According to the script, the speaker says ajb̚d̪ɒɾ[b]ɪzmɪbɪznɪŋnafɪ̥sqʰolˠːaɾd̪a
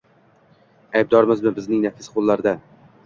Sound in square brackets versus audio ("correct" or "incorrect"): incorrect